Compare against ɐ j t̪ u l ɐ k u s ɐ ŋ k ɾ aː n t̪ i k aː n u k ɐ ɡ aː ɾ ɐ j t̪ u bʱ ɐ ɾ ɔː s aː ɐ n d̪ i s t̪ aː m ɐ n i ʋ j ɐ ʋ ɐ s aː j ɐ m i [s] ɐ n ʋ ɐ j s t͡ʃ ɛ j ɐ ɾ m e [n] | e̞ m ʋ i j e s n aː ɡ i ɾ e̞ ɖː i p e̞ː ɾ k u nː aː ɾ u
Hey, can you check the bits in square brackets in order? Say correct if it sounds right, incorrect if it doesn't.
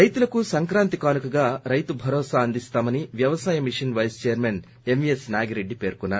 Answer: incorrect, correct

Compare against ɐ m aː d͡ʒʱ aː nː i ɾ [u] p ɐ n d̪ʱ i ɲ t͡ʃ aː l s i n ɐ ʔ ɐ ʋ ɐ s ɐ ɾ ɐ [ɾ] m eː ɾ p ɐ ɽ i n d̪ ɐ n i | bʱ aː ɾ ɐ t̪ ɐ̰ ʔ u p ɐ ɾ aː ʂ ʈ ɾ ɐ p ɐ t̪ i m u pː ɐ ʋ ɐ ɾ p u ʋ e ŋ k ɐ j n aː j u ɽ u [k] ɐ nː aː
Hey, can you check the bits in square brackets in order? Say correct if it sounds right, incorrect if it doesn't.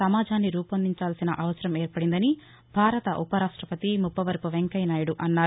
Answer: incorrect, incorrect, incorrect

